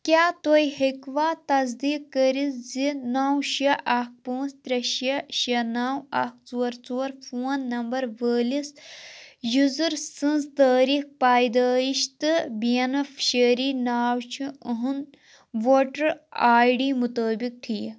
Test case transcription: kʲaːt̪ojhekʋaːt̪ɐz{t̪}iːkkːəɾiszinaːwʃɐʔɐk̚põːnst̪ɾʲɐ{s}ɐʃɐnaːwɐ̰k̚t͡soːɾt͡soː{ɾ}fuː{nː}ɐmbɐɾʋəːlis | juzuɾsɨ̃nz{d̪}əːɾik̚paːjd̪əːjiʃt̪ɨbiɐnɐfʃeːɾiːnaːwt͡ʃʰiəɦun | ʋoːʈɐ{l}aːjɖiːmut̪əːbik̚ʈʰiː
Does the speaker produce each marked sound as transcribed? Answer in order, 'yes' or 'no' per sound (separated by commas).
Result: no, no, yes, yes, no, no